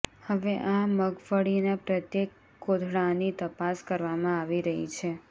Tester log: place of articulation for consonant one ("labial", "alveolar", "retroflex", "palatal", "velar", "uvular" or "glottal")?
glottal